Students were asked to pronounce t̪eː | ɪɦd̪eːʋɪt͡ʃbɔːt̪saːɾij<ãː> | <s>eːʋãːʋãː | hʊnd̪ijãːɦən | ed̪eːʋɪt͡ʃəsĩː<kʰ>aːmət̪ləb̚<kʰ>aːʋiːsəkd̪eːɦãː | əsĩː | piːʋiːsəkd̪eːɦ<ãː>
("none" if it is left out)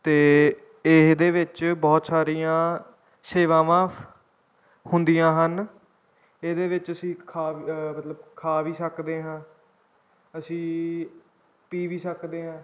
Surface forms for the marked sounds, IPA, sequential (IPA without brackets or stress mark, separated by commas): ãː, s, kʰ, kʰ, ãː